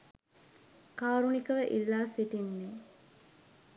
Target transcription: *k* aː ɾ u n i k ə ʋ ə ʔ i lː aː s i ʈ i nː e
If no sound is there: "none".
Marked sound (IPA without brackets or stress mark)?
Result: k